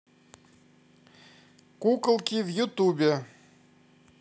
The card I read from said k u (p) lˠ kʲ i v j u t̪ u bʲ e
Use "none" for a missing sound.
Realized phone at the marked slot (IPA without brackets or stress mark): k